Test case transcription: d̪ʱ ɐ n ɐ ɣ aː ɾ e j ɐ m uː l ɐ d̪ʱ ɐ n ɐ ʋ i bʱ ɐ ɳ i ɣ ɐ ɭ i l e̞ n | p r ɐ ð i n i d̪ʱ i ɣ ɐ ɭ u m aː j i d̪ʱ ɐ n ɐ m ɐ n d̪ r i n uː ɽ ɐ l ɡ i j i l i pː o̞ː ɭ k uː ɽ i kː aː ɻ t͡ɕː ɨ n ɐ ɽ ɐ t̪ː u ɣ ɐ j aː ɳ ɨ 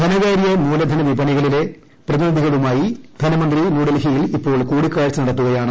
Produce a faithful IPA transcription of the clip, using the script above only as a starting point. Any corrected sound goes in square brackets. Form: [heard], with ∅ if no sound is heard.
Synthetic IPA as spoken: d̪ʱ ɐ n ɐ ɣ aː ɾ [i] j ɐ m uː l ɐ d̪ʱ ɐ n ɐ ʋ i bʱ ɐ ɳ i ɣ ɐ ɭ i l e̞ [∅] | p r ɐ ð i n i d̪ʱ i ɣ ɐ ɭ u m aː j i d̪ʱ ɐ n ɐ m ɐ n d̪ r i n uː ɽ ɐ l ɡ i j i l i pː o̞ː ɭ k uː ɽ i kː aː ɻ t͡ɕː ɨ n ɐ ɽ ɐ t̪ː u ɣ ɐ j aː ɳ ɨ